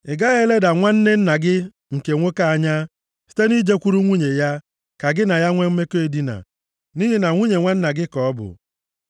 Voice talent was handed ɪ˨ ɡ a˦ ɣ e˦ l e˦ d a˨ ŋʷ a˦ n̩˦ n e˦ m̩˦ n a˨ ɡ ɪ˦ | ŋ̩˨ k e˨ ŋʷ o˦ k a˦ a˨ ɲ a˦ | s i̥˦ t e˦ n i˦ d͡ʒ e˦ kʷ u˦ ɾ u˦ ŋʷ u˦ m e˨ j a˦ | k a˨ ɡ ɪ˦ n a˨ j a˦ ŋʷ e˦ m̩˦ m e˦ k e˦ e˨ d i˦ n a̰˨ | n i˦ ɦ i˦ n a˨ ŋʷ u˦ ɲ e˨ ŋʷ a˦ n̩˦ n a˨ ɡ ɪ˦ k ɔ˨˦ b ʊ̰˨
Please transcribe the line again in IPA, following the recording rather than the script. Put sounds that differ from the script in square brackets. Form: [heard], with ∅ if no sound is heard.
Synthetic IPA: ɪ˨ ɡ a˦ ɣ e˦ l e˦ d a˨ ŋʷ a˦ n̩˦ n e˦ [n̩˦] n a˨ ɡ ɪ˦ | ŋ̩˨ k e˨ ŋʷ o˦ k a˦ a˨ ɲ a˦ | s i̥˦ t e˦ n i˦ d͡ʒ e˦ kʷ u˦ ɾ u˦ ŋʷ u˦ [ɲ] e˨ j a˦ | k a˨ ɡ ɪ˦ n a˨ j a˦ ŋʷ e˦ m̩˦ m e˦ k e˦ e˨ d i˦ n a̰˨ | n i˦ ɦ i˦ n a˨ ŋʷ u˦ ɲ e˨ ŋʷ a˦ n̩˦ n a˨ ɡ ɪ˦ k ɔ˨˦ b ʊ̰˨